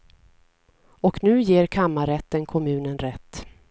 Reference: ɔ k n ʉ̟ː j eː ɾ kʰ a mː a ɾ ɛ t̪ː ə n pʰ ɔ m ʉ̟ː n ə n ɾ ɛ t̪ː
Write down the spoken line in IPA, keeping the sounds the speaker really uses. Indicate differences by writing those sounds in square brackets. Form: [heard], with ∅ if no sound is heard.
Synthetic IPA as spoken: ɔ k n ʉ̟ː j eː ɾ kʰ a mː a ɾ ɛ t̪ː ə n [kʰ] ɔ m ʉ̟ː n ə n ɾ ɛ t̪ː